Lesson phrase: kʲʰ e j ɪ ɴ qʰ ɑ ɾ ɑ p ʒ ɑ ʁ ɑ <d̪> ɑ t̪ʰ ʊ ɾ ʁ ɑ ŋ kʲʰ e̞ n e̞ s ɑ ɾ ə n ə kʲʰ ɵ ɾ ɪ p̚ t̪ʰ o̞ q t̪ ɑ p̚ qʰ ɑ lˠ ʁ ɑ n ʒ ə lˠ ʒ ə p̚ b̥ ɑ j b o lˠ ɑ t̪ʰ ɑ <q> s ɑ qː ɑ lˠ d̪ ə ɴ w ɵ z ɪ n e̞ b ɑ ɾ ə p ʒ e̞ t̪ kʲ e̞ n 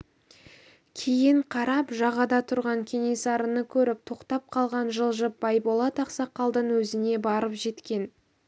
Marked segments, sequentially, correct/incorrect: correct, correct

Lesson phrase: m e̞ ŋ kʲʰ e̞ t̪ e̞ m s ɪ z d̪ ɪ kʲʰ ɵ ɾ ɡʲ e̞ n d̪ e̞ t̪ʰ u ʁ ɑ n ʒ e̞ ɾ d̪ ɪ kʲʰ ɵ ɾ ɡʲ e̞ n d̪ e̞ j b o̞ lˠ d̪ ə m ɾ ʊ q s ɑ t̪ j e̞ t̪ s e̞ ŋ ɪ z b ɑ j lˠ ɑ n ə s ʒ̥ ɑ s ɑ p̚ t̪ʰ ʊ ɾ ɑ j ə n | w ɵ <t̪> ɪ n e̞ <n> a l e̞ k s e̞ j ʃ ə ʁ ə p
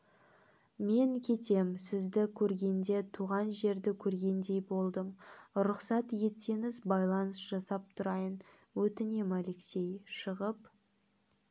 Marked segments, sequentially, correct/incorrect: correct, incorrect

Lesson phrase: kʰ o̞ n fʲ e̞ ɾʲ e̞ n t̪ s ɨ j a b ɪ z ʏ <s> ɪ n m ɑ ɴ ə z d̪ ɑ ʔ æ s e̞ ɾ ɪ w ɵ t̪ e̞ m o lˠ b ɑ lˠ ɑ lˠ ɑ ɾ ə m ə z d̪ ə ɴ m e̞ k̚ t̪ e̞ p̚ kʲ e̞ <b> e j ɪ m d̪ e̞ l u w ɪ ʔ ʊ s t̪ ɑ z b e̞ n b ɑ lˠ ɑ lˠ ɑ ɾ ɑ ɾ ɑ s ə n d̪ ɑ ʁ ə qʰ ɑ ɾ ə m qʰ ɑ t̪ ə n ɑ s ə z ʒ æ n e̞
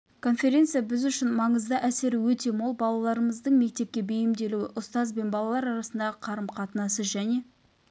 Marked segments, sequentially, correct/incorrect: incorrect, correct

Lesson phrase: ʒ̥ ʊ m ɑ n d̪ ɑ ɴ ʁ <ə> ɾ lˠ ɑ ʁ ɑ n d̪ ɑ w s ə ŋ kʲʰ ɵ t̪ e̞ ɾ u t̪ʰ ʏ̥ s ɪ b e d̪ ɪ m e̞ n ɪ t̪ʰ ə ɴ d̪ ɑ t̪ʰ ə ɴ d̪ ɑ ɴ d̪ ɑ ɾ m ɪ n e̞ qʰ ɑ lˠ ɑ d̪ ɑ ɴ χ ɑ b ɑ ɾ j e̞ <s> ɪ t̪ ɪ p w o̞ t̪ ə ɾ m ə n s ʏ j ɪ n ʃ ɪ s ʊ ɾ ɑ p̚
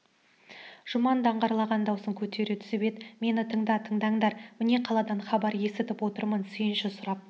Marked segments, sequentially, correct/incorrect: incorrect, correct

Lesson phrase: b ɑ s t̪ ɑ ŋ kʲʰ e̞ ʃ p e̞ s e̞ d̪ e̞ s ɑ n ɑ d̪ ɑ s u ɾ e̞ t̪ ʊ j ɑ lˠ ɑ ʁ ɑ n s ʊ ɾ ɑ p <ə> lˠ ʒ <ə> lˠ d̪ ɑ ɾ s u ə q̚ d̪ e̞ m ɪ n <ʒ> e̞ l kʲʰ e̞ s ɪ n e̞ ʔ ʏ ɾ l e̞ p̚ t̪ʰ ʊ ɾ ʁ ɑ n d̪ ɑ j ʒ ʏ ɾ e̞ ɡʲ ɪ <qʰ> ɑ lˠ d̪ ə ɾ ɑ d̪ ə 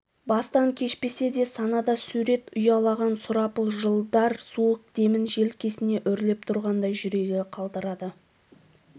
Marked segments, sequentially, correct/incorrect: correct, correct, correct, correct

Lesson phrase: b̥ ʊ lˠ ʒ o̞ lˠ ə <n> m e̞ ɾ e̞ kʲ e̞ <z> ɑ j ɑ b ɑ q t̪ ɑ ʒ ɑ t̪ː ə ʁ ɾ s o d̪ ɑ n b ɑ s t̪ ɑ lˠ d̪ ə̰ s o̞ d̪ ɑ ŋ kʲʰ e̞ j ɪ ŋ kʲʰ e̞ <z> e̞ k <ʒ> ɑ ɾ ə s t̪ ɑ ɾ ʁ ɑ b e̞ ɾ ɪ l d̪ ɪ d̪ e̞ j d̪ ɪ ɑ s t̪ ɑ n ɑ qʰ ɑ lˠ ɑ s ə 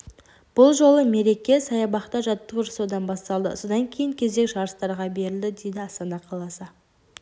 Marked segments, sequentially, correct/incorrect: incorrect, incorrect, correct, correct

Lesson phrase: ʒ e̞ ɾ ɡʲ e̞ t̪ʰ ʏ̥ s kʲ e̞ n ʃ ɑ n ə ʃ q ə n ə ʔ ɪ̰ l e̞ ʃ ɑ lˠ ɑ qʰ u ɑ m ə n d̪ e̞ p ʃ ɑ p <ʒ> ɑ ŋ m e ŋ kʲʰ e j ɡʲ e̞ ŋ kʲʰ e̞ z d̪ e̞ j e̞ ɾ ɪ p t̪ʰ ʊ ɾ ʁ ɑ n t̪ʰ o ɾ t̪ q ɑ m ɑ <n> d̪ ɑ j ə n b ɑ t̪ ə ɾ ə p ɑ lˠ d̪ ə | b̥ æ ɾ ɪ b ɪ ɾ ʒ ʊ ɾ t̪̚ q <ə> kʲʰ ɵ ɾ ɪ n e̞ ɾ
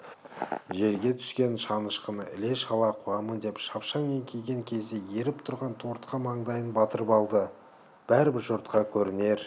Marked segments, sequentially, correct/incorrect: incorrect, incorrect, incorrect

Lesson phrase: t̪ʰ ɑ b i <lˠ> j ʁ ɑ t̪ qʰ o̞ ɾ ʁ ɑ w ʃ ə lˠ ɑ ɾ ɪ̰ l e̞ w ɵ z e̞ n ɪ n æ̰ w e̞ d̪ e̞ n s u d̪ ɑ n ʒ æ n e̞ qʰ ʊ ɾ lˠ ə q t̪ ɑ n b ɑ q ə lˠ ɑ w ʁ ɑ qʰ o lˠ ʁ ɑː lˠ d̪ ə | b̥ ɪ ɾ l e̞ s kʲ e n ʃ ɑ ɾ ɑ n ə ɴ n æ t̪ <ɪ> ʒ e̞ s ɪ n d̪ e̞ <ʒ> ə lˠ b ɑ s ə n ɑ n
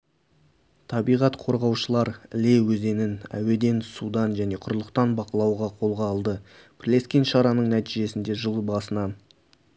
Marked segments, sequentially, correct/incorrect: incorrect, incorrect, correct

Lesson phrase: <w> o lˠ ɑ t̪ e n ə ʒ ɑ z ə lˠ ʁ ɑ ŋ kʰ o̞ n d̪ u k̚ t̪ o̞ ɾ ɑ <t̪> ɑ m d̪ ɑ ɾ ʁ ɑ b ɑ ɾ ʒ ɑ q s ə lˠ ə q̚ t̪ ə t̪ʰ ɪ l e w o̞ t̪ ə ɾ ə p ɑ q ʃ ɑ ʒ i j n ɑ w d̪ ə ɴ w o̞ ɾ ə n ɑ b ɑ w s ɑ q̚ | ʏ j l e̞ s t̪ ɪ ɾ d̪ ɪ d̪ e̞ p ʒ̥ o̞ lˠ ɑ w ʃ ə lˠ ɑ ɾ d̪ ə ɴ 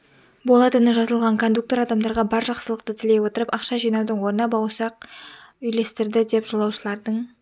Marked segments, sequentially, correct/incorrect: incorrect, incorrect

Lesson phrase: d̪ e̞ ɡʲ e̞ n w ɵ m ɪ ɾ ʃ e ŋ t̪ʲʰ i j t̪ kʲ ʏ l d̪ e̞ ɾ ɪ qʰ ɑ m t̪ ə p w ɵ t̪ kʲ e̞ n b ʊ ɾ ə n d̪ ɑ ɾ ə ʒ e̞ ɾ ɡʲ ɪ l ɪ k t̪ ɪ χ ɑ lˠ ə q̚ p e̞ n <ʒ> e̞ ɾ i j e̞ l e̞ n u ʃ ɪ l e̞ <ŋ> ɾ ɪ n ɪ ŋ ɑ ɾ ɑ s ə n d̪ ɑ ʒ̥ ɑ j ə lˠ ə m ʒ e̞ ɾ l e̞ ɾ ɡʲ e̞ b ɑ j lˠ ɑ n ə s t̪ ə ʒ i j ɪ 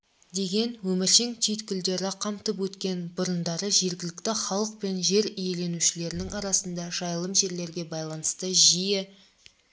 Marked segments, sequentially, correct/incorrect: correct, incorrect

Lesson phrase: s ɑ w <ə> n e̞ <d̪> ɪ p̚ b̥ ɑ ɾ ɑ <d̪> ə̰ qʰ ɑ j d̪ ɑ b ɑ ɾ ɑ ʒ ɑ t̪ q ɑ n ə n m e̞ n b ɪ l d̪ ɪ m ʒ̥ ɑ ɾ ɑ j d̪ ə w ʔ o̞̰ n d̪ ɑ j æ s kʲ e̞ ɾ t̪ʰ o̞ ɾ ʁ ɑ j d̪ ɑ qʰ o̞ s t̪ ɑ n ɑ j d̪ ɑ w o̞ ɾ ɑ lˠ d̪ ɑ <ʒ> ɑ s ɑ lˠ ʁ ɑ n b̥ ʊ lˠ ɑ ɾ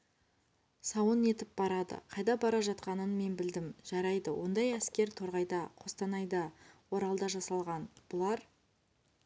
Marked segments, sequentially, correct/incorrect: correct, incorrect, correct, correct

